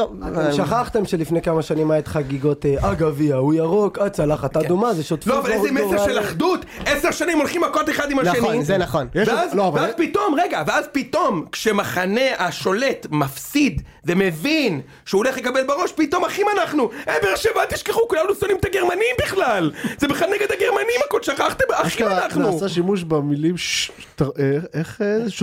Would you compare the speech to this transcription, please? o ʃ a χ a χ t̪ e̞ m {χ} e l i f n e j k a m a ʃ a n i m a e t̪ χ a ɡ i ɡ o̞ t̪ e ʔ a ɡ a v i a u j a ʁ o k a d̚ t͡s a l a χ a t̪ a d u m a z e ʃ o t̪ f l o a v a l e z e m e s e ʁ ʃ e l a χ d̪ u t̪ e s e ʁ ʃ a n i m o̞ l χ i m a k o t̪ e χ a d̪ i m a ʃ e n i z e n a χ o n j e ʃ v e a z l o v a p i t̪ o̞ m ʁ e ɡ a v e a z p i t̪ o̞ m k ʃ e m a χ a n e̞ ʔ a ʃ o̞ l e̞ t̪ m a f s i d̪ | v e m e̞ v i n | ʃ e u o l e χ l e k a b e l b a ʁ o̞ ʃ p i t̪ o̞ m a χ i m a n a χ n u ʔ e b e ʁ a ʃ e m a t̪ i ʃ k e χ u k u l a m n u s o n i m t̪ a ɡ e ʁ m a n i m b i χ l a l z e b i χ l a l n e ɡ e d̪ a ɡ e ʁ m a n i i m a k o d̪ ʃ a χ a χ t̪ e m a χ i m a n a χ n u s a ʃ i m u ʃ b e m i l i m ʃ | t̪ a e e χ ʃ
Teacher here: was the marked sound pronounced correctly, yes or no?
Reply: no